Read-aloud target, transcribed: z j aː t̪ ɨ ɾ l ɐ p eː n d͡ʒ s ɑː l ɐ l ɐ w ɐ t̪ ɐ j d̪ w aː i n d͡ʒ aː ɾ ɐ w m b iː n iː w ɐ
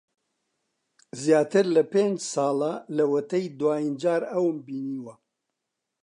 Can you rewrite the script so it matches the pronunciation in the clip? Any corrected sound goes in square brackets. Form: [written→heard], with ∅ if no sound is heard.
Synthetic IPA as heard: z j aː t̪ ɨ ɾ l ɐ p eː n d͡ʒ s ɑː l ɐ l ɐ w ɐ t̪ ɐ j d̪ w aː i n d͡ʒ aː ɾ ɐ w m b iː n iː w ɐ